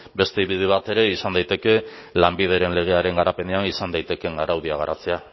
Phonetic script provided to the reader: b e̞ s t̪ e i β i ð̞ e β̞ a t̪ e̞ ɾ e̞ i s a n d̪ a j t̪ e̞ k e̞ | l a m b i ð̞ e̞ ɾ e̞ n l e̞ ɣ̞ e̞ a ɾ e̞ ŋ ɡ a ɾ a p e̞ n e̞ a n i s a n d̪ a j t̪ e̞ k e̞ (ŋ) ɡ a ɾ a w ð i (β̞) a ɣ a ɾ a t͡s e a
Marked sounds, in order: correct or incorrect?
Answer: correct, incorrect: none

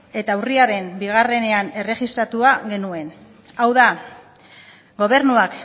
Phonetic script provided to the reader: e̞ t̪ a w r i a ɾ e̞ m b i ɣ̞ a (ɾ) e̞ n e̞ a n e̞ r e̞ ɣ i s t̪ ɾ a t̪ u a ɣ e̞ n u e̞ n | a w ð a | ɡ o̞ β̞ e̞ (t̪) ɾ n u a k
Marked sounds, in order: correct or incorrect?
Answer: incorrect: r, incorrect: none

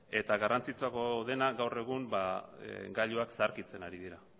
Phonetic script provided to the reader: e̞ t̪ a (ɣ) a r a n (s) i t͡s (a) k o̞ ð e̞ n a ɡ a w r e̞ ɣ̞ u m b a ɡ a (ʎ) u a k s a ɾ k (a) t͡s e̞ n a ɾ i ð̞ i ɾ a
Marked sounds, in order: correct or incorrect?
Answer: correct, incorrect: t͡s, correct, correct, incorrect: i

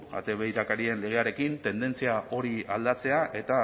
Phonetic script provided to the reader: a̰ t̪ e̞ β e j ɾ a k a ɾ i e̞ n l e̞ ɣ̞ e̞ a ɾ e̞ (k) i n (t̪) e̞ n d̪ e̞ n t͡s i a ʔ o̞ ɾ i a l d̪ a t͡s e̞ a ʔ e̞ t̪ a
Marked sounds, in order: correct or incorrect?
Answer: correct, correct

